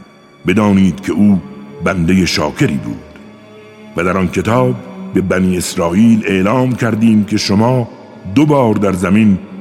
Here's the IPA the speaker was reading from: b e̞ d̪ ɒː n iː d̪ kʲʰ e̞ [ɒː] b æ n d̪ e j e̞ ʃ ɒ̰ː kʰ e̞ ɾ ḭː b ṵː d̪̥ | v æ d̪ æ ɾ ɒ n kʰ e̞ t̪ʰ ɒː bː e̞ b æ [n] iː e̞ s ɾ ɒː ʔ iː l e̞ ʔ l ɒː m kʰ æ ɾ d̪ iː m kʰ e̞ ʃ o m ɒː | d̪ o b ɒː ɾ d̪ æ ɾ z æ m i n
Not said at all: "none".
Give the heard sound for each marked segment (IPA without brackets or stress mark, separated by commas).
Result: uː, n